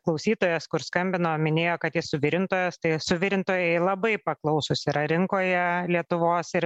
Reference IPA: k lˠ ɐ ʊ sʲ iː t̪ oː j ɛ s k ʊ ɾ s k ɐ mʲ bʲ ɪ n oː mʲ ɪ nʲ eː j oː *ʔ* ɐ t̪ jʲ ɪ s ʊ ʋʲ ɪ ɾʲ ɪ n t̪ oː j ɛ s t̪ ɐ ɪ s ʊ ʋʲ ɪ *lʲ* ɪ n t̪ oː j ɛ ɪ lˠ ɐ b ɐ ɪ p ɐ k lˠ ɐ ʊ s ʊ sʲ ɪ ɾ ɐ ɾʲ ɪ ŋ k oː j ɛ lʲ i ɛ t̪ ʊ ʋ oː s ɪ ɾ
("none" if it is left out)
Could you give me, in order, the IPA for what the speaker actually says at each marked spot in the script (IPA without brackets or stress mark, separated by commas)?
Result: k, ɾʲ